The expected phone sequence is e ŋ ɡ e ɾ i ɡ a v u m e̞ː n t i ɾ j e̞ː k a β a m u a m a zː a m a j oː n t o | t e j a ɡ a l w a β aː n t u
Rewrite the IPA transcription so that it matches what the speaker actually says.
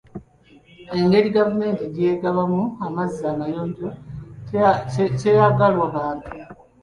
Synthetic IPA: e ŋ ɡ e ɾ i ɡ a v u m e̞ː n t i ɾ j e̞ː ɡ a β a m u a m a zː a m a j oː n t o | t e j a ɡ a l w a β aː n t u

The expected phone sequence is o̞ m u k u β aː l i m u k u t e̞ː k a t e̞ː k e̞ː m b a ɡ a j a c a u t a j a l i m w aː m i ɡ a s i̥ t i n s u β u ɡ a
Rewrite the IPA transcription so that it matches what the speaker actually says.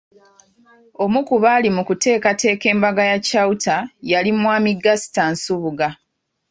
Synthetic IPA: o̞ m u k u β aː l i m u k u t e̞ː k a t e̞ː k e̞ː m b a ɡ a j a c a u t a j a l i m w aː m i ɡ a s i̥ t a n s u β u ɡ a

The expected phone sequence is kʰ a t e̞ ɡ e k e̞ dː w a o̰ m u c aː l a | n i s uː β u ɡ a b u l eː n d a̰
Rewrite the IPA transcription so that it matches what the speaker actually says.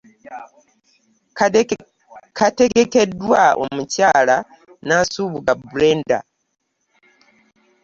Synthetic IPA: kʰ a t e̞ ɡ e k e̞ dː w a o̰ m u c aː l a | n a s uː β u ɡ a b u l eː n d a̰

